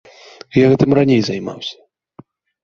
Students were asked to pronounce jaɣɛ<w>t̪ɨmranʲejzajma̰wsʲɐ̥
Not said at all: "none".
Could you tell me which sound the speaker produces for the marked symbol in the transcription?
none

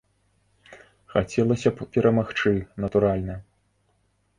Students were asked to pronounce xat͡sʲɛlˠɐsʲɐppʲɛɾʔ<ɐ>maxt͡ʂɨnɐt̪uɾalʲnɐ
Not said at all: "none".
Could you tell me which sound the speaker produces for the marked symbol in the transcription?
ɐ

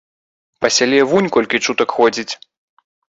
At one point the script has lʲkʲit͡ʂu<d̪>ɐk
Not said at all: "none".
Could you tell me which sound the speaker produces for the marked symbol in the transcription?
t̪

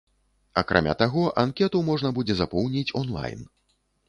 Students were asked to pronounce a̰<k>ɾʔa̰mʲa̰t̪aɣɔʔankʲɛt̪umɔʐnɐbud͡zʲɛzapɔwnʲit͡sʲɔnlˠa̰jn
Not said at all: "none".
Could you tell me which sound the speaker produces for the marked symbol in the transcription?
k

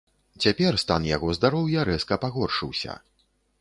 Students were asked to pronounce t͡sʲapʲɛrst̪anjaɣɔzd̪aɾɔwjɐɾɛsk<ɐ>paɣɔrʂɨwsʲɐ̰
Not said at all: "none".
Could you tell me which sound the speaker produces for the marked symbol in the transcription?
ɐ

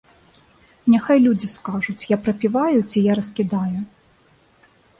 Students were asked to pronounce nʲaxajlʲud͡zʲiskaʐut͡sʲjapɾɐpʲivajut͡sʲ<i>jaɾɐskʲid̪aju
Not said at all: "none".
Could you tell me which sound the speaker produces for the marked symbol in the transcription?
i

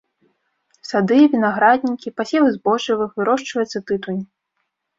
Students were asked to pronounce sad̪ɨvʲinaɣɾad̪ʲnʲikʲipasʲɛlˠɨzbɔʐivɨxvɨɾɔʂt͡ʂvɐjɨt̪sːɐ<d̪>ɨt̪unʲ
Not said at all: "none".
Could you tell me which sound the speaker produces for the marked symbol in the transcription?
t̪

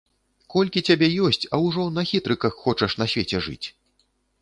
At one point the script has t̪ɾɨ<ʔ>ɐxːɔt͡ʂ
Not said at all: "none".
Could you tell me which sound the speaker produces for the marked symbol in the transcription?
k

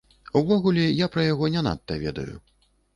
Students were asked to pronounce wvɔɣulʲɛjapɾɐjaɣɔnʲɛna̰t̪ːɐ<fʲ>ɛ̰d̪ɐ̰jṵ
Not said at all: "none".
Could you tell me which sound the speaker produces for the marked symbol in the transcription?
vʲ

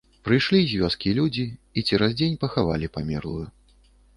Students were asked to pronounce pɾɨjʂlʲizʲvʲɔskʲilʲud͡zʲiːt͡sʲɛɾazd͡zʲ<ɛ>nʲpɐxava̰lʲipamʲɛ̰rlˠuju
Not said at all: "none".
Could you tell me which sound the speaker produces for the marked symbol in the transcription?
e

